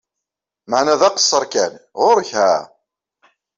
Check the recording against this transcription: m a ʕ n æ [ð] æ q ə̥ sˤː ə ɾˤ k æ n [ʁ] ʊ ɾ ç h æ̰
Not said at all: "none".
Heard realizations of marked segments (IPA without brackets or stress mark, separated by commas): ð, ʁ